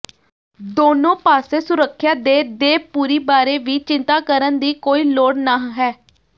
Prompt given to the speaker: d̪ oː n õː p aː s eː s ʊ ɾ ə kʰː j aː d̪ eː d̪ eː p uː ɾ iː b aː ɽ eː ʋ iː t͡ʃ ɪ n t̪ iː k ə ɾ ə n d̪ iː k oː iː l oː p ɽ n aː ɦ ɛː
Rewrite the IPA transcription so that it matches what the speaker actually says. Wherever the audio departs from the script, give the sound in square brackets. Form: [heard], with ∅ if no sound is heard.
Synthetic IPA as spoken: d̪ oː n õː p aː s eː s ʊ ɾ ə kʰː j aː d̪ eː d̪ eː p uː ɾ iː b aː [ɾ] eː ʋ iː t͡ʃ ɪ n t̪ [aː] k ə ɾ ə n d̪ iː k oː iː l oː [∅] ɽ n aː ɦ ɛː